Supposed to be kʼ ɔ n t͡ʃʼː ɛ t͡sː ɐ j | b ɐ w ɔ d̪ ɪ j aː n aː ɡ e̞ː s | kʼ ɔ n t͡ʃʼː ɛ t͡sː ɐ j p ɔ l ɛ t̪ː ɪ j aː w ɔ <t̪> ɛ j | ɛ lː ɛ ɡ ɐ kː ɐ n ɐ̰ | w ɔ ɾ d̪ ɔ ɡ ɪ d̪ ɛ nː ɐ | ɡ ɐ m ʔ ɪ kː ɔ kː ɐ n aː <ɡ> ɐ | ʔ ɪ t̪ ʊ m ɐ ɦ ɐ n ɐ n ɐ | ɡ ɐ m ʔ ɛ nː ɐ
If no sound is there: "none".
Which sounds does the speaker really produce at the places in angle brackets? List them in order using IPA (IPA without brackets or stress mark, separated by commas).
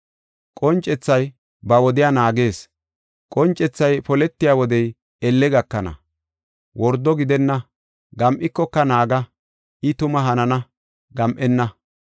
d̪, ɡ